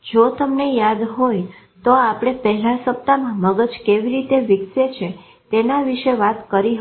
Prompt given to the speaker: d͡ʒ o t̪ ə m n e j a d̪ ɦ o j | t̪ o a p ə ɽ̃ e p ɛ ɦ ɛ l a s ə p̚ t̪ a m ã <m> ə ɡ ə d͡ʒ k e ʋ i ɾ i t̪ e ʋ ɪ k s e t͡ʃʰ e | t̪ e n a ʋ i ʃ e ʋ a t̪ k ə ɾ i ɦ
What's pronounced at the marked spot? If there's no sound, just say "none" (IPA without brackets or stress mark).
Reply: m